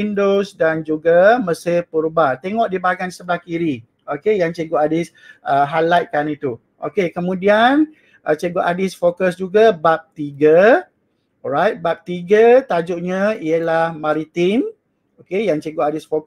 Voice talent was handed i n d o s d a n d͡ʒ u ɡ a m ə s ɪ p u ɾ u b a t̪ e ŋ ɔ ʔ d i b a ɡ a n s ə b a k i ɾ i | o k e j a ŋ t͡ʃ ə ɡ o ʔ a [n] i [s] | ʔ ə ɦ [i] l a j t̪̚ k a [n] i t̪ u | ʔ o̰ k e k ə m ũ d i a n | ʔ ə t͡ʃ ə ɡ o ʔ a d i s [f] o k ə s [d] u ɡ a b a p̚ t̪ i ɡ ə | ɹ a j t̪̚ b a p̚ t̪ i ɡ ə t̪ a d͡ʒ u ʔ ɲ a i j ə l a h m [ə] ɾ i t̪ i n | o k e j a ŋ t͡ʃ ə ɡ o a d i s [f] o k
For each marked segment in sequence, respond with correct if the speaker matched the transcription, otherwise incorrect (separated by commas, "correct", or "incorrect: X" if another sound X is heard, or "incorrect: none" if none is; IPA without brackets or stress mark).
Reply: incorrect: d, correct, incorrect: a, correct, correct, incorrect: d͡ʒ, incorrect: a, correct